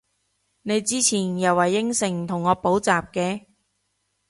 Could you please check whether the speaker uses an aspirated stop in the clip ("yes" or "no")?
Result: yes